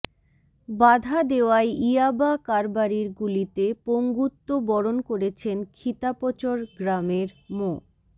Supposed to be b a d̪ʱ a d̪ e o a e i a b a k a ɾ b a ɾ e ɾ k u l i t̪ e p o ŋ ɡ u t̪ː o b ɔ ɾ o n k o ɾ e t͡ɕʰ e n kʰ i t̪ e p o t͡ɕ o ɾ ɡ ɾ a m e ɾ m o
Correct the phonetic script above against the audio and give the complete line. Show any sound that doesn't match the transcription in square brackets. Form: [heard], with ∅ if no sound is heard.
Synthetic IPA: b a d̪ʱ a d̪ e o a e i a b a k a ɾ b a ɾ [i] ɾ [ɡ] u l i t̪ e p o ŋ ɡ u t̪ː o b ɔ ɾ o n k o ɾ e t͡ɕʰ e n kʰ i t̪ [a] p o t͡ɕ o ɾ ɡ ɾ a m e ɾ m o